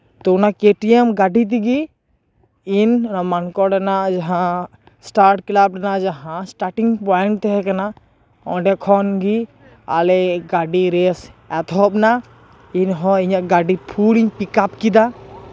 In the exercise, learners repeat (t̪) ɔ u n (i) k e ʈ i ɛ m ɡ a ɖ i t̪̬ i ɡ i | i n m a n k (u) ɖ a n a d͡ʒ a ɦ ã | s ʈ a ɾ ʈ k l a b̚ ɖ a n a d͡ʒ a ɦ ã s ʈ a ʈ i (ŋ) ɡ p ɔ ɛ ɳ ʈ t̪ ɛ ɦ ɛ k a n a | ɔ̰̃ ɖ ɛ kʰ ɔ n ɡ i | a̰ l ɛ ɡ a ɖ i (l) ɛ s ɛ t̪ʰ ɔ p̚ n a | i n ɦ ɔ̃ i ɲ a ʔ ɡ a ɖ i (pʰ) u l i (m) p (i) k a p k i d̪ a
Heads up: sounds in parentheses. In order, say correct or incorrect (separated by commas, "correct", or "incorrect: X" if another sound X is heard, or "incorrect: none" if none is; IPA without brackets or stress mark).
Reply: correct, incorrect: a, incorrect: ɔ, correct, incorrect: ɾ, correct, incorrect: ɲ, correct